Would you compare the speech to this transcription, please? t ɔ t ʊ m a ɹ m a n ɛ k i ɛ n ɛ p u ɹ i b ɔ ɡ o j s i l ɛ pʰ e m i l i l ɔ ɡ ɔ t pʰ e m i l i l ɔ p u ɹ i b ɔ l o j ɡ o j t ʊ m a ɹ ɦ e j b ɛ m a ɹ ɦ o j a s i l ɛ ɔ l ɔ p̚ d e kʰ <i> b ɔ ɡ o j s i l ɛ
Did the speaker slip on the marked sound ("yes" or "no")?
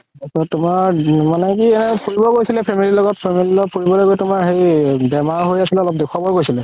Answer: yes